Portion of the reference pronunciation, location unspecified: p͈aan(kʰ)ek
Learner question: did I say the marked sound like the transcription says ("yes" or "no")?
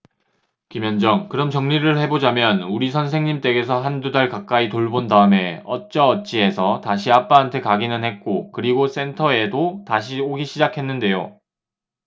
no